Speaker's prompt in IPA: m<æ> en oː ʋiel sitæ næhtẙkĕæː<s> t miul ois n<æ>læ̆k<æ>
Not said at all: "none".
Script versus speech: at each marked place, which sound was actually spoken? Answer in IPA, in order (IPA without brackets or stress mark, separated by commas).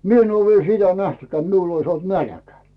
i, none, æ, æ